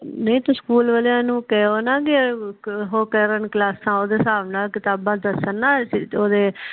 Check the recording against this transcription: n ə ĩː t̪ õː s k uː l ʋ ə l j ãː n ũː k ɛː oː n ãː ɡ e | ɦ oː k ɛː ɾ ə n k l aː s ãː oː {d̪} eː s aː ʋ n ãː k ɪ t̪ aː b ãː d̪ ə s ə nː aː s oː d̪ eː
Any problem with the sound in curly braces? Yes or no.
no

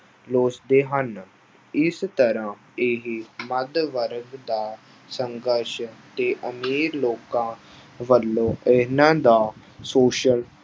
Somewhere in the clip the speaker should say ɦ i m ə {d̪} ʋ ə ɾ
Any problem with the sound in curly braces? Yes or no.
no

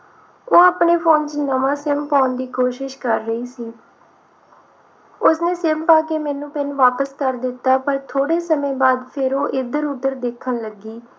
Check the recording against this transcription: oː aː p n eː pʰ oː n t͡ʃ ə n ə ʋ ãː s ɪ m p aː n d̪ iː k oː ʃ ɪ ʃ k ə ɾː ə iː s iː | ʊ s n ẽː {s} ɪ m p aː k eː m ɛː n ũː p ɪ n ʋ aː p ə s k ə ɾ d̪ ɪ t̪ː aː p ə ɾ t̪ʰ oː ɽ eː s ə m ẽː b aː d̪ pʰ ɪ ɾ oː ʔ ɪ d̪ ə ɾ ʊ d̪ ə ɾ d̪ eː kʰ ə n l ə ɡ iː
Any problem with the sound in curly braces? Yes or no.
no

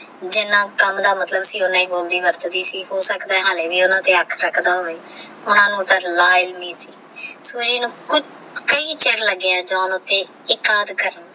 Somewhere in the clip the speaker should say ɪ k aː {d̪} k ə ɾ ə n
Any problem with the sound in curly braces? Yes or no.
no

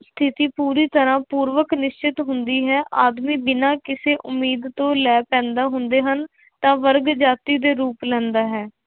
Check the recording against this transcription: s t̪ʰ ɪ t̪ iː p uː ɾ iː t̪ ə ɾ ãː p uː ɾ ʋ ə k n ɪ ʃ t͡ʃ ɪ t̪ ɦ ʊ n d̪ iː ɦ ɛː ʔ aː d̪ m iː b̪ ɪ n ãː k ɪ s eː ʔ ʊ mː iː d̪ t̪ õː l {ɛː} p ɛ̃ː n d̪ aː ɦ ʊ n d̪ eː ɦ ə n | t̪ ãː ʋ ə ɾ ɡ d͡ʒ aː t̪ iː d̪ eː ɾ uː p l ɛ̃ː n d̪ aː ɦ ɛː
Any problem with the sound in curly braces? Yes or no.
no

